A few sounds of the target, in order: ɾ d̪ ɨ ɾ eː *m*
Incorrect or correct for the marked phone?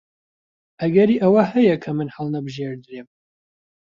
correct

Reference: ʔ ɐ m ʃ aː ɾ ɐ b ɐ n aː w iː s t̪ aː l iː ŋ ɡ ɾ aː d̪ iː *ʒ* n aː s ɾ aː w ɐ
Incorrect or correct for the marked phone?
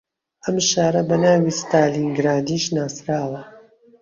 incorrect: ʃ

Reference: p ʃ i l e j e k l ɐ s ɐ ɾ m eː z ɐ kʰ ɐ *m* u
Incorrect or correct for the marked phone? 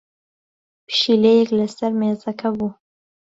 incorrect: b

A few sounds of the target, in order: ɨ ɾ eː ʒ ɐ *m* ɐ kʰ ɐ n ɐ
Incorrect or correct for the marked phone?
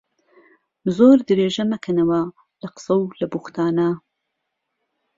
correct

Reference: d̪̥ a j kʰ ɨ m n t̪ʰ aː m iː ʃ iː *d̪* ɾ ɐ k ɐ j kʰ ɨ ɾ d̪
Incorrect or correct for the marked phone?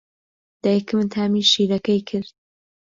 incorrect: none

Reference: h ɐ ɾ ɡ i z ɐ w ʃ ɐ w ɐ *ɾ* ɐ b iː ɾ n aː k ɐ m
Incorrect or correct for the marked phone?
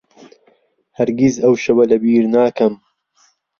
incorrect: l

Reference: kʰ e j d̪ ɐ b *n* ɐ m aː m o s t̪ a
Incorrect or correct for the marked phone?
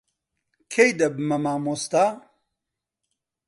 incorrect: m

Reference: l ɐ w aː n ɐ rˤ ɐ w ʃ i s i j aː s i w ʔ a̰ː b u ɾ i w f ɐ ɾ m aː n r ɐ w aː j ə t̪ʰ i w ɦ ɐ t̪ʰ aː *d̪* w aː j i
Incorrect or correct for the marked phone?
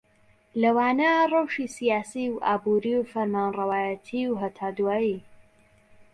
correct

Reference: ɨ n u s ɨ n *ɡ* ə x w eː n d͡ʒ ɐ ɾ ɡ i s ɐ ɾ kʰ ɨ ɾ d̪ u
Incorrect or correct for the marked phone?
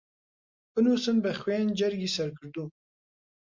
incorrect: b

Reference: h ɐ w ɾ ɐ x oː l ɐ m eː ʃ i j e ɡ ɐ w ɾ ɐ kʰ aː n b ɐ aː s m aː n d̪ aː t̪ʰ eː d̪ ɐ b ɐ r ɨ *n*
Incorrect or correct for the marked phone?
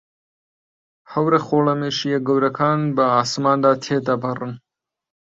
correct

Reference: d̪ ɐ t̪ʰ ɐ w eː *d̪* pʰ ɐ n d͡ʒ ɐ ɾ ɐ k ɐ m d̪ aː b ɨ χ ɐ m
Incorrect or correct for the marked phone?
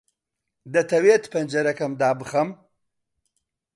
incorrect: t̪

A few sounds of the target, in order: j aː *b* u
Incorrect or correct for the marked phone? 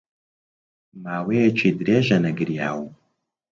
incorrect: w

